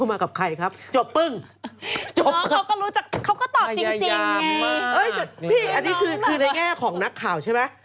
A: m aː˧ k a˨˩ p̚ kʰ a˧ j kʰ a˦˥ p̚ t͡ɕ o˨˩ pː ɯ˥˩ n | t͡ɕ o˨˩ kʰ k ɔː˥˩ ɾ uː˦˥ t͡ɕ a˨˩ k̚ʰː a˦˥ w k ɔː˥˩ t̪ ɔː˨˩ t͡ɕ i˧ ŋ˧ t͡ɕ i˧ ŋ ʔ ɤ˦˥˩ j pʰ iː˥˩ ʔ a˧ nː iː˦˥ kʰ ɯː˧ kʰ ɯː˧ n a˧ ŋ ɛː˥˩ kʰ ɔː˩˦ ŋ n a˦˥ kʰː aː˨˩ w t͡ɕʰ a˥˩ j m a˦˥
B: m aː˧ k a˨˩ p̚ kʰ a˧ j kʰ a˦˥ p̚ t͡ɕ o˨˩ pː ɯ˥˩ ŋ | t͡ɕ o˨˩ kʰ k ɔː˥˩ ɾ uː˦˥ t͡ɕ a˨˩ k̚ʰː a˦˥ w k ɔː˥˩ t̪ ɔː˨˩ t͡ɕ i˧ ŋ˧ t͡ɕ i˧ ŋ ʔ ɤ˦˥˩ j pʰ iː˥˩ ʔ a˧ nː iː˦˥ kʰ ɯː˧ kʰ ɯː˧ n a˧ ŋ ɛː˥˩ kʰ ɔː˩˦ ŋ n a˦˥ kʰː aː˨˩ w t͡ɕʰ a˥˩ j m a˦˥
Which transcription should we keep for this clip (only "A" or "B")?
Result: B